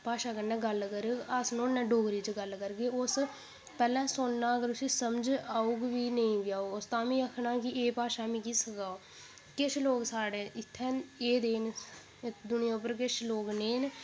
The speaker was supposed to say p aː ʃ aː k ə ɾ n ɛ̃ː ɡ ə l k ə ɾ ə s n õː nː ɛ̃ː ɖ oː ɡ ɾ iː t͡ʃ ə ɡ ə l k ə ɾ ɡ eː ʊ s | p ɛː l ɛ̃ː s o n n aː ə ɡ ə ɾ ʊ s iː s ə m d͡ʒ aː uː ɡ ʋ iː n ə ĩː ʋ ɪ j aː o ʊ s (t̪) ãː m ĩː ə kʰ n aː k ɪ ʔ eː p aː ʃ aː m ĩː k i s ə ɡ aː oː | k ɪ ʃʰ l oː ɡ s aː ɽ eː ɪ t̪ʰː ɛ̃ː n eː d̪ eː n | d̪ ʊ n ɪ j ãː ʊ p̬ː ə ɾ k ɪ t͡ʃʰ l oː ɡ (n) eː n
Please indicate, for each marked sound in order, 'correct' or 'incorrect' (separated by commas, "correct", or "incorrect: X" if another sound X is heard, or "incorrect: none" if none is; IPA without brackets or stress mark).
correct, correct